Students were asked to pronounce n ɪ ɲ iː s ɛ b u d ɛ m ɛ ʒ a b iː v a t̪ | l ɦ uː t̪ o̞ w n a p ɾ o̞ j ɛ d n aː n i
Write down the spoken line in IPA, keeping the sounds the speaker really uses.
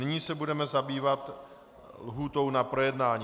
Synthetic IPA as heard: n ɪ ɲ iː s ɛ b u d ɛ m ɛ z a b iː v a t̪ | l ɦ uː t̪ o̞ w n a p ɾ o̞ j ɛ d n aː ɲ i